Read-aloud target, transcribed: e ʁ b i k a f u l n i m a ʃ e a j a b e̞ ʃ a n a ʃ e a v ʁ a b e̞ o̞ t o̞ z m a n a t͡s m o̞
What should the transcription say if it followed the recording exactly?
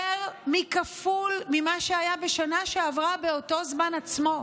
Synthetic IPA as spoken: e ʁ m i k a f u l m i m a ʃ e a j a b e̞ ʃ a n a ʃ e a v ʁ a b e̞ o̞ t o̞ z m a n a t͡s m o̞